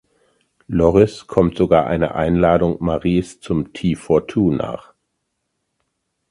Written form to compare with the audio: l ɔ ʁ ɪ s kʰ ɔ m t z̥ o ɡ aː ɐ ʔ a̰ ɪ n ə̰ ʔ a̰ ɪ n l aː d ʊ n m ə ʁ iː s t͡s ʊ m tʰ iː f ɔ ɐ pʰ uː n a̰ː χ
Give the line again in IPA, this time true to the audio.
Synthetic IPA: l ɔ ʁ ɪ s kʰ ɔ m t z̥ o ɡ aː ɐ ʔ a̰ ɪ n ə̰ ʔ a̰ ɪ n l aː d ʊ ŋ m a ʁ iː s t͡s ʊ m tʰ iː f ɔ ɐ tʰ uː n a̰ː χ